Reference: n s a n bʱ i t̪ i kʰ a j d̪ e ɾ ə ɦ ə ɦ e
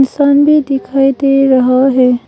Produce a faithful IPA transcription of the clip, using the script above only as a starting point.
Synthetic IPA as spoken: n s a n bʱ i d̪ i kʰ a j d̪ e ɾ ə ɦ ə ɦ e